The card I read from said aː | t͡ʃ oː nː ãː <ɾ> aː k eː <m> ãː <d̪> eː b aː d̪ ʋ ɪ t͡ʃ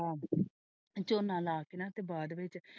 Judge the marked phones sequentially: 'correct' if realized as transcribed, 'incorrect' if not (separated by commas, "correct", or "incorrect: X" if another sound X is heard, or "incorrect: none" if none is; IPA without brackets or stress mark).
incorrect: l, incorrect: n, incorrect: t̪